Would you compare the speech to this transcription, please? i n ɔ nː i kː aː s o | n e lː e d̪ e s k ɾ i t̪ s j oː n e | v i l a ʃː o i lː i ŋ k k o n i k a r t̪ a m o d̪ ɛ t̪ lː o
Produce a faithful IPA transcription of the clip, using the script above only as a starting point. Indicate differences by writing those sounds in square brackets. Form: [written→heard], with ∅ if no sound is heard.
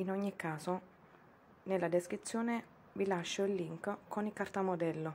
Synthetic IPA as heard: i n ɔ [nː→ɲː] i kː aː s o | n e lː [e→a] d̪ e s k ɾ i t̪ [s→sː] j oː n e | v i l a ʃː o i lː i ŋ k k o n i k a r t̪ a m o d̪ ɛ [t̪→∅] lː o